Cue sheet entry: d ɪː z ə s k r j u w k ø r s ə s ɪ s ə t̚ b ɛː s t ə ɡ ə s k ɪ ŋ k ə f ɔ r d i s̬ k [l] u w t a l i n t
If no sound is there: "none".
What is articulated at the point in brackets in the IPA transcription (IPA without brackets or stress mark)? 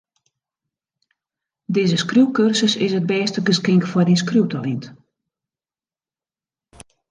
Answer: r